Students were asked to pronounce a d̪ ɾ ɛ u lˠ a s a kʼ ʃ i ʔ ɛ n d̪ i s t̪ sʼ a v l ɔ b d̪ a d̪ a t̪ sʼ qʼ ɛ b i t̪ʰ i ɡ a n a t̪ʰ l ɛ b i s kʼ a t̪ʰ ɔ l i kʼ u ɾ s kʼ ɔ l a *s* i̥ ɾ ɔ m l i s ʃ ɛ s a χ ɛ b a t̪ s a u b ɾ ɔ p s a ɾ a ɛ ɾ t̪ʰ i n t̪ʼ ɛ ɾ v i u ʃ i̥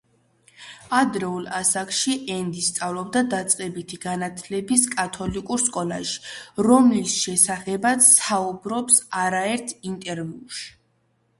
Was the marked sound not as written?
yes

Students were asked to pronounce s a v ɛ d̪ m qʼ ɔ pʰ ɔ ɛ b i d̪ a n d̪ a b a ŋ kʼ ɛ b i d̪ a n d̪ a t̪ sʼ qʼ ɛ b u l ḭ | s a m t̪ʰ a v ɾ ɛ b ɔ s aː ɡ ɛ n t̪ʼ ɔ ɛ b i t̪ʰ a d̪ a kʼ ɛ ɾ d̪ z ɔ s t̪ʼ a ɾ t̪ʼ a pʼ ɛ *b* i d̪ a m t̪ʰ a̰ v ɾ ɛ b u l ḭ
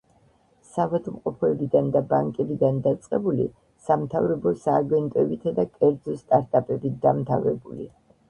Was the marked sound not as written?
no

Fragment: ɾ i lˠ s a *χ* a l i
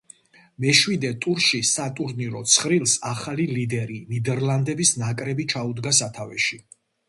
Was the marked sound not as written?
no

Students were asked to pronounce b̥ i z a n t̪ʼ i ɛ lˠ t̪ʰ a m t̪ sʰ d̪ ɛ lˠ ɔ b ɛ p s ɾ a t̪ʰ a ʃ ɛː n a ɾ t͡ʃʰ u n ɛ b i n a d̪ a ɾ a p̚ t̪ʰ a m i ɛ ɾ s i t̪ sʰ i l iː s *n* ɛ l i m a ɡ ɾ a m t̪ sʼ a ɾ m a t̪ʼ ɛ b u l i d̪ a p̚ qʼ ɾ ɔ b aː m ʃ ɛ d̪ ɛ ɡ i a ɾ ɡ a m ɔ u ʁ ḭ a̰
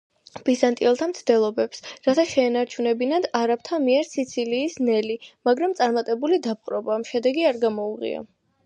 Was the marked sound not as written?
no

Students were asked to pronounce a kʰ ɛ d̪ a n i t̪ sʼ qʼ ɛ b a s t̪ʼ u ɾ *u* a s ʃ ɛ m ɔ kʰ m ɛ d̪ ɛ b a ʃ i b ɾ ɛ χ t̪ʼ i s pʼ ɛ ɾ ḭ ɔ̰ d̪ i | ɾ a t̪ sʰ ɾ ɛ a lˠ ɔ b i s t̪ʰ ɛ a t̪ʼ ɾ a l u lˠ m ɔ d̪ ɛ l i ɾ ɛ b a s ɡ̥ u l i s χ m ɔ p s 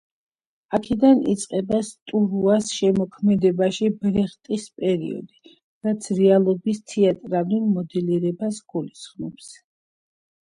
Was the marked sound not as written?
no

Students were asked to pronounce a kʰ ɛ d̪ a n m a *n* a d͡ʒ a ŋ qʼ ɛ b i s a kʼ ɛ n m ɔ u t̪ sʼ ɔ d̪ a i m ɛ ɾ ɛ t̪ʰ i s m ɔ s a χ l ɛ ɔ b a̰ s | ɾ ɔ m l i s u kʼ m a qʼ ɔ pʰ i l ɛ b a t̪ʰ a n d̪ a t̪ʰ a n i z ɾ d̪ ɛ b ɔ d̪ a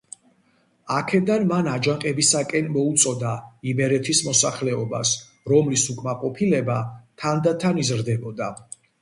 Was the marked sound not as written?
no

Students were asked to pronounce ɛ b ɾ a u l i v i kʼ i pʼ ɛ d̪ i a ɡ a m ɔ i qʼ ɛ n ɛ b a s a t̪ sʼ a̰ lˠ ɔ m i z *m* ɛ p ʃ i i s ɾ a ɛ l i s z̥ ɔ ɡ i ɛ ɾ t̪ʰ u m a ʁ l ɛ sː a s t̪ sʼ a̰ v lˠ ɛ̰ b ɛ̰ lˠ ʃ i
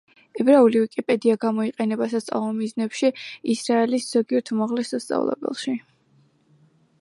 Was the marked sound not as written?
yes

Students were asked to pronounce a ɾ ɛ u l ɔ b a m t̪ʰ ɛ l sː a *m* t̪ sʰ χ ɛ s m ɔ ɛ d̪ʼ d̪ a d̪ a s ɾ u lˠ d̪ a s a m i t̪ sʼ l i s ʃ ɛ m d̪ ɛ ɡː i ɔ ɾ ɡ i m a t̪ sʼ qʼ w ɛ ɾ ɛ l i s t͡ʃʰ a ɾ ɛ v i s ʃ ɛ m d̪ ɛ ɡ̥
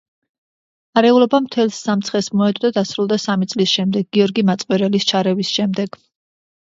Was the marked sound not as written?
no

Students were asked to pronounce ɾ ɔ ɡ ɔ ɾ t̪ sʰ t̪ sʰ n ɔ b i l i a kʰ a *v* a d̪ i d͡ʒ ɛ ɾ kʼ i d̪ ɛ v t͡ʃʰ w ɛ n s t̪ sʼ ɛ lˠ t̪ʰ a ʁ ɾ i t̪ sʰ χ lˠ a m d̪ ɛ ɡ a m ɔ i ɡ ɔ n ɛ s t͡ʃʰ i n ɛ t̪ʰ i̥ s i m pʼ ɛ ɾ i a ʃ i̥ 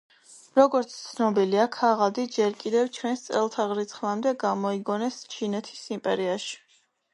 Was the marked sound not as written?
yes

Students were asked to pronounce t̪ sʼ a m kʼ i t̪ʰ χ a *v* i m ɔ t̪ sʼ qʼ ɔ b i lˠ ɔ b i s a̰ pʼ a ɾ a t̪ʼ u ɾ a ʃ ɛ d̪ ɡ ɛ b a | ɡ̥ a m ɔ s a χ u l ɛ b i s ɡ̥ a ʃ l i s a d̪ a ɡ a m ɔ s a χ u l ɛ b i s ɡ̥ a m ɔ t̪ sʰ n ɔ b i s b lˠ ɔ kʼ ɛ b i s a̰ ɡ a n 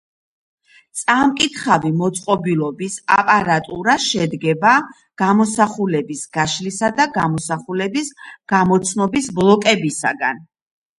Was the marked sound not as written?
no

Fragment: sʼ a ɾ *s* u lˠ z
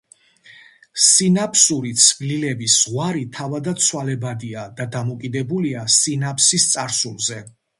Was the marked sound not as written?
no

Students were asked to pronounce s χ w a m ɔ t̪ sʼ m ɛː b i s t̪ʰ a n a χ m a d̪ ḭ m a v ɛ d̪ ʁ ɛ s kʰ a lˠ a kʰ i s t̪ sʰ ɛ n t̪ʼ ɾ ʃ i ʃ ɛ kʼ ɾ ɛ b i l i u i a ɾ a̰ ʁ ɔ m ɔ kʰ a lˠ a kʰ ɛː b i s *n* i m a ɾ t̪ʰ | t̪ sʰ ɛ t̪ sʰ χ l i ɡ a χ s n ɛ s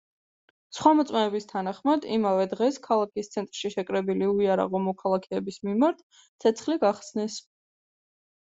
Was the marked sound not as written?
yes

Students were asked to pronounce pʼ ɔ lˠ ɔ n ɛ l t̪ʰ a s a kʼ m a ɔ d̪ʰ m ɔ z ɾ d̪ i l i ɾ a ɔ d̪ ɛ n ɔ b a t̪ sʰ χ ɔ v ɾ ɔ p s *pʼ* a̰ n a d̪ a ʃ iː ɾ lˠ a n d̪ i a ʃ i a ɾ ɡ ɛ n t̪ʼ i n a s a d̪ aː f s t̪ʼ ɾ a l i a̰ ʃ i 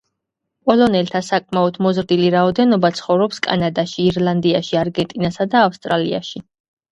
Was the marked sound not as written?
yes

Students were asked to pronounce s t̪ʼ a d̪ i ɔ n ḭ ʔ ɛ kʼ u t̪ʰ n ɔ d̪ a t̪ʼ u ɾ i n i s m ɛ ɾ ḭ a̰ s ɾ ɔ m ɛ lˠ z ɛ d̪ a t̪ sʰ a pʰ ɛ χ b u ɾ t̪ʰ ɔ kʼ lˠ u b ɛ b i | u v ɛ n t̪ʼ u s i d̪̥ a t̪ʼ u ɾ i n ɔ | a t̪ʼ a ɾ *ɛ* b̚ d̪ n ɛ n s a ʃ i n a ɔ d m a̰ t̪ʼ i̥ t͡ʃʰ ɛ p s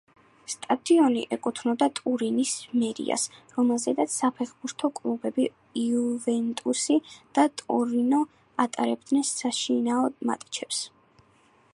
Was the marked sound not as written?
no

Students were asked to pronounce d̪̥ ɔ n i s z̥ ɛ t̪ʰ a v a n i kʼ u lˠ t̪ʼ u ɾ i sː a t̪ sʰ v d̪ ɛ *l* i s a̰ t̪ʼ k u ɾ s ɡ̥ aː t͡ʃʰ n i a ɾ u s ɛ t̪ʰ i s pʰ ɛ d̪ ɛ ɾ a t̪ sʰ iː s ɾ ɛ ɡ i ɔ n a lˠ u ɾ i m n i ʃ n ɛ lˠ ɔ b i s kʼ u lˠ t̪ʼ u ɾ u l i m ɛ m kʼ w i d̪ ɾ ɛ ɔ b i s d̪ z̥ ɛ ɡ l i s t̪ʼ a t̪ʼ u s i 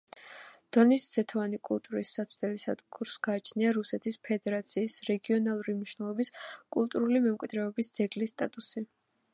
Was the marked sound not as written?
no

